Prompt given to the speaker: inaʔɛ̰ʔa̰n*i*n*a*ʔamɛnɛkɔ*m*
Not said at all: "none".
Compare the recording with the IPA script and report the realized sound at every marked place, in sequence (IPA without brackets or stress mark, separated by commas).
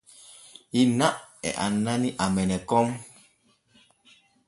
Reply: a, i, m